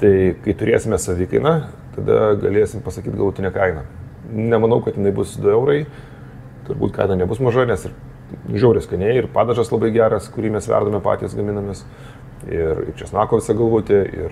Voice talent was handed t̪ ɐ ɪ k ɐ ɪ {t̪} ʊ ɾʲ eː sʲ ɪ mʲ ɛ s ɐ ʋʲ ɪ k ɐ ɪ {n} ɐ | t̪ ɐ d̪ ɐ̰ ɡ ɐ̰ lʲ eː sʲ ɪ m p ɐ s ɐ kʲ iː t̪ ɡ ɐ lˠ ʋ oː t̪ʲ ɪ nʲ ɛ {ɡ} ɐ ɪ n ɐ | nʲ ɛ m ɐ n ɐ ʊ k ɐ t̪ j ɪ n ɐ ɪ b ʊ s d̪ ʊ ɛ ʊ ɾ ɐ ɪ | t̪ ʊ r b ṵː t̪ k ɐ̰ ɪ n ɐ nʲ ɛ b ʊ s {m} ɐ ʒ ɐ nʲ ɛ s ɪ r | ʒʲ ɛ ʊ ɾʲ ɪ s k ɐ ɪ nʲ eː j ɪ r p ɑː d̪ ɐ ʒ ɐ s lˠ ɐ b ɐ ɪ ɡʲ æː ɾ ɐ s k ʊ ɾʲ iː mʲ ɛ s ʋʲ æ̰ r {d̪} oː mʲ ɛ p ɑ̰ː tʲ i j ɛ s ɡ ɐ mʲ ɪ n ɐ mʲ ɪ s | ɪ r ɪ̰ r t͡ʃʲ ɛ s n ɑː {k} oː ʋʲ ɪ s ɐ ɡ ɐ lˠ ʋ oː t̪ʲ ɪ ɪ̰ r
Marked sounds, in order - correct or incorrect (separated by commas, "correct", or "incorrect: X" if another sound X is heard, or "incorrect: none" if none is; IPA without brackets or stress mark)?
correct, correct, incorrect: k, correct, correct, correct